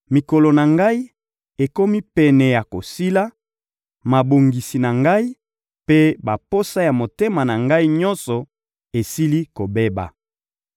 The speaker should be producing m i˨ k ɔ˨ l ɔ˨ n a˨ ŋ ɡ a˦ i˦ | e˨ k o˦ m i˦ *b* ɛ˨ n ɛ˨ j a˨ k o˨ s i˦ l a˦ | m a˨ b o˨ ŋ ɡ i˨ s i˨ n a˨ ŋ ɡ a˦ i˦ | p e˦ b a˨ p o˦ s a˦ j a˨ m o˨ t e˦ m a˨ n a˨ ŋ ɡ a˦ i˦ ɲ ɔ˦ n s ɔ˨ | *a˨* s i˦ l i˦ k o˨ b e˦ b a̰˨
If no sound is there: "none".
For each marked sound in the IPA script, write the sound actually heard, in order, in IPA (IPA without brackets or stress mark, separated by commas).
p, e˨